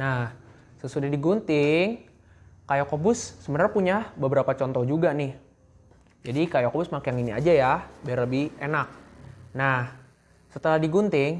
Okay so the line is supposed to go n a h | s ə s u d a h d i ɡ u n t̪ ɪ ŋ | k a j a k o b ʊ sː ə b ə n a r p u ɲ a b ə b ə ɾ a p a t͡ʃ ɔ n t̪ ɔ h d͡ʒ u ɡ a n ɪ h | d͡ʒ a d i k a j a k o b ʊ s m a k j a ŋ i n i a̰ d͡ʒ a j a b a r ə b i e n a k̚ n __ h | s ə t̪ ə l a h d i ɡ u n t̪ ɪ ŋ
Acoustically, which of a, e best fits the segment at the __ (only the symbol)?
a